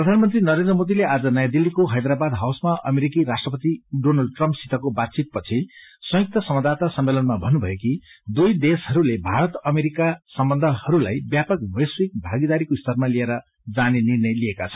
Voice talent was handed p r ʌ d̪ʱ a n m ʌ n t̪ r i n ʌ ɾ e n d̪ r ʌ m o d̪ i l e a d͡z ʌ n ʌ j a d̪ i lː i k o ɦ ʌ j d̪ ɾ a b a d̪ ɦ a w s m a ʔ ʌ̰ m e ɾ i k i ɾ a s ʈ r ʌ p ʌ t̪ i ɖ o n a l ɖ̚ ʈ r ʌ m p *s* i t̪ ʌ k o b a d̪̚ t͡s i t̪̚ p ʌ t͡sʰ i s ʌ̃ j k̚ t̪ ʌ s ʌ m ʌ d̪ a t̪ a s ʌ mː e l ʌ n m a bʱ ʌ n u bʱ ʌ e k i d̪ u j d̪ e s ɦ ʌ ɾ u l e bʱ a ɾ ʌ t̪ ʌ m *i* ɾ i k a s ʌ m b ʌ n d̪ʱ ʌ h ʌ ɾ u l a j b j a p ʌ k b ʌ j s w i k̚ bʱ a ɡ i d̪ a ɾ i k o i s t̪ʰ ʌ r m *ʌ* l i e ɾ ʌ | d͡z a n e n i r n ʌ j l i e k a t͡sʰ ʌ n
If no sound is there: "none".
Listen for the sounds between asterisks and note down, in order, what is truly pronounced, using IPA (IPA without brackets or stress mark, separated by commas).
s, e, a